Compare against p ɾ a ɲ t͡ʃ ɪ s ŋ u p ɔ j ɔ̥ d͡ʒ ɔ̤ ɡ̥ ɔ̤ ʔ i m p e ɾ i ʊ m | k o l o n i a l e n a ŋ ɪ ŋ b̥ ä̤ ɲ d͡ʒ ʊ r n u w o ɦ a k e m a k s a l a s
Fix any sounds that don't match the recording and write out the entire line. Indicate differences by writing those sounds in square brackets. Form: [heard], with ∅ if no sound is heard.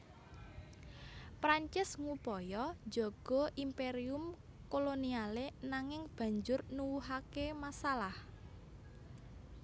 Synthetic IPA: p ɾ a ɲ t͡ʃ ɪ s ŋ u p ɔ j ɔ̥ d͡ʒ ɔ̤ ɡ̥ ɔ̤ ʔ i m p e ɾ i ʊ m | k o l o n i a l e n a ŋ ɪ ŋ b̥ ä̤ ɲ d͡ʒ ʊ r n u w [u] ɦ a k e m a [∅] s a l a [h]